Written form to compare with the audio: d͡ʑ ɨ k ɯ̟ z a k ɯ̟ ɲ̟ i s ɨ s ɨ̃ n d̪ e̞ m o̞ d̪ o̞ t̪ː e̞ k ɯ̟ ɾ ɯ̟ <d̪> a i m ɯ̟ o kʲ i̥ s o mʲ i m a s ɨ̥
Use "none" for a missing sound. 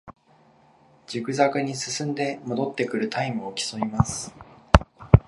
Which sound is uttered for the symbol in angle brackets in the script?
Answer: t̪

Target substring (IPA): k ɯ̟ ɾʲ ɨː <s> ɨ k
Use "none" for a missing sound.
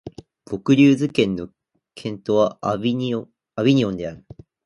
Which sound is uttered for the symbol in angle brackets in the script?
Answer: z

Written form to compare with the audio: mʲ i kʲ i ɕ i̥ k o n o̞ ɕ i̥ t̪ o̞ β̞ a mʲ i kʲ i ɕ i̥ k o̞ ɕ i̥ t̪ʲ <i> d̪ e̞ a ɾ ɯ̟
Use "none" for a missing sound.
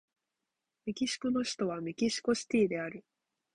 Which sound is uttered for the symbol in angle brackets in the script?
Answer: iː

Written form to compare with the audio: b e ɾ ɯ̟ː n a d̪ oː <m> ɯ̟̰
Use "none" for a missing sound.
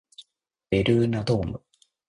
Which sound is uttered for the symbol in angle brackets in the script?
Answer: m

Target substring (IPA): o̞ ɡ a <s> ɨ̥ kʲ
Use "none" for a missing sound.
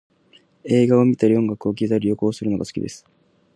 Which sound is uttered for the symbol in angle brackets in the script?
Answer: s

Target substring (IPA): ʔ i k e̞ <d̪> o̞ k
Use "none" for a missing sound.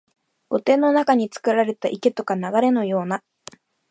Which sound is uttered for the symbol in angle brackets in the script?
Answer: t̪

